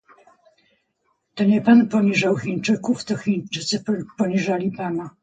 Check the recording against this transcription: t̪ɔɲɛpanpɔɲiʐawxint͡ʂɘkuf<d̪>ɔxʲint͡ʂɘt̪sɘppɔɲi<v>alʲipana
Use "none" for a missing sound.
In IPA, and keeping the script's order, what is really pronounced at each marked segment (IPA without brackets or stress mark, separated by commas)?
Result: t̪, ʐ